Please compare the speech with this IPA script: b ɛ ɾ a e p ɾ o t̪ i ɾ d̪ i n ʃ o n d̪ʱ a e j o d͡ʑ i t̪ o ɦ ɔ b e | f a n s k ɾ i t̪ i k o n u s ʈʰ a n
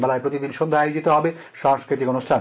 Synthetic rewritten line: b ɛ l a e p ɾ o t̪ i d̪ i n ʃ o n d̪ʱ a a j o d͡ʑ i t̪ o ɦ ɔ b e | ʃ a ŋ s k ɾ i t̪ i k o n u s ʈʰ a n